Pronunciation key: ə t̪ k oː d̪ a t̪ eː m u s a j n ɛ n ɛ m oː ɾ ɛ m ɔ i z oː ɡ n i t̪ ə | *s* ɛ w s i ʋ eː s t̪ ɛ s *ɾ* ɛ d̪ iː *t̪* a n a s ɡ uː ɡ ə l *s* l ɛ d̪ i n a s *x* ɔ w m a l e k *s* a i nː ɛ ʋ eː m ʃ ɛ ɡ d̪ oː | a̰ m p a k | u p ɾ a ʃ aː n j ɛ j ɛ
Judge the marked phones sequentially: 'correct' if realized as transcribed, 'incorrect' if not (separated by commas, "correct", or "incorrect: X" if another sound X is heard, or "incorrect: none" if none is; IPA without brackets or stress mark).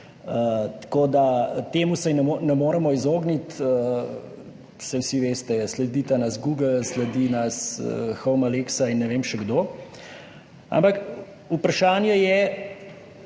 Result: correct, incorrect: l, correct, correct, correct, correct